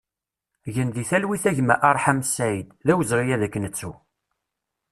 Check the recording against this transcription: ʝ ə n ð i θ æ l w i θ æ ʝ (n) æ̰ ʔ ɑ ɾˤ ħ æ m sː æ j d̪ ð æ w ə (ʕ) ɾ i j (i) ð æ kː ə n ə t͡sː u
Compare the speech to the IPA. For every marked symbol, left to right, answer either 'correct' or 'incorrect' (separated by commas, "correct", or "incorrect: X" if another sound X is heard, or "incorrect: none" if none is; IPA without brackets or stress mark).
incorrect: m, incorrect: z, incorrect: æ